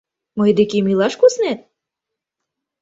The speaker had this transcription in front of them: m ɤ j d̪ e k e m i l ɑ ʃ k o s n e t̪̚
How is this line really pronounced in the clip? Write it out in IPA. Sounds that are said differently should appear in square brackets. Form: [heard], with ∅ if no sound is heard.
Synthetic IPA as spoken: m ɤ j d̪ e k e m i l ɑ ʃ k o s n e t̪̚